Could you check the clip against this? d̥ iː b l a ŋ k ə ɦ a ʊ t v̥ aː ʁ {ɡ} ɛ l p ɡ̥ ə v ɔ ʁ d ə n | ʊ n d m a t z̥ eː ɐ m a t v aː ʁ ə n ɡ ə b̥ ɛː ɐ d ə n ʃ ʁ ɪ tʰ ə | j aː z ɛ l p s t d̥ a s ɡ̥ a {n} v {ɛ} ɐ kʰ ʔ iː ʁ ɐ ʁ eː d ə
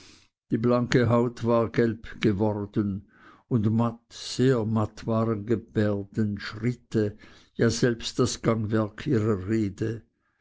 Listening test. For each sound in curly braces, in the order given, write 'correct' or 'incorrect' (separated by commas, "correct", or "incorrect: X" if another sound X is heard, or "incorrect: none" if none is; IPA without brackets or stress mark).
correct, incorrect: ŋ, correct